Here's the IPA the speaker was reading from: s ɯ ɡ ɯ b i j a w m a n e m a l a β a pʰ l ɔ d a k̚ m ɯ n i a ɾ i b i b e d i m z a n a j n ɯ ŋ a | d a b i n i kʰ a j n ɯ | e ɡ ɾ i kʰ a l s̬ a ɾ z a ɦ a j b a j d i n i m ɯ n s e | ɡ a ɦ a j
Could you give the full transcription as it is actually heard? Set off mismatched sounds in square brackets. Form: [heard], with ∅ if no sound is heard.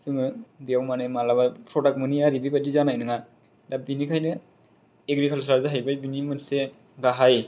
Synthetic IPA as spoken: s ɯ [ŋ] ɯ b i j a w m a n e m a l a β a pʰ [ɾ] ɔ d a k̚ m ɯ n i a ɾ i b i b [a] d i [∅] z a n a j n ɯ ŋ a | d a b i n i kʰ a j n ɯ | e ɡ ɾ i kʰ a l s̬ a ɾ z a ɦ a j b a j [b] i n i m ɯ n s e | ɡ a ɦ a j